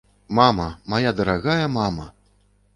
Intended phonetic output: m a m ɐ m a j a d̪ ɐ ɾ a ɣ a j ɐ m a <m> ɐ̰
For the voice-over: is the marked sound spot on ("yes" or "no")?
yes